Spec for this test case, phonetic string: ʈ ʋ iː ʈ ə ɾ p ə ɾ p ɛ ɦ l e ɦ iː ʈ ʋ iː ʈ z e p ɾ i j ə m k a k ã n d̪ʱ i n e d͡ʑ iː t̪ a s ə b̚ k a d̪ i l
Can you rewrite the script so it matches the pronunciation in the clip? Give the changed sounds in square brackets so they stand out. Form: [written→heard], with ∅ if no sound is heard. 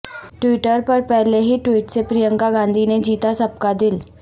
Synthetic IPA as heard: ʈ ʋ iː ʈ ə ɾ p ə ɾ p ɛ ɦ l e ɦ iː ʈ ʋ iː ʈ [z→s] e p ɾ i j ə [m→ŋ] k a [k→ɡ] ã n d̪ʱ i n e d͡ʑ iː t̪ a s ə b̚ k a d̪ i l